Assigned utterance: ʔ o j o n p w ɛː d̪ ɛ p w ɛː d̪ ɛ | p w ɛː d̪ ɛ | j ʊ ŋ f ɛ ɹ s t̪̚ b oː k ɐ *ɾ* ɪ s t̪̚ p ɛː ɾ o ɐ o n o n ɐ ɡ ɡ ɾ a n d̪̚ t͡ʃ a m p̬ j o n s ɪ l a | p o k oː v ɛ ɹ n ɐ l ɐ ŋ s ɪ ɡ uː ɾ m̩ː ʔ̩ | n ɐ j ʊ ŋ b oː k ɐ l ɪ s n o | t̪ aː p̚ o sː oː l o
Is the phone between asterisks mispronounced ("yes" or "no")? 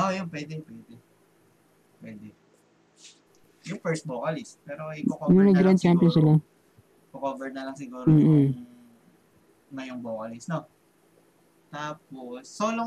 yes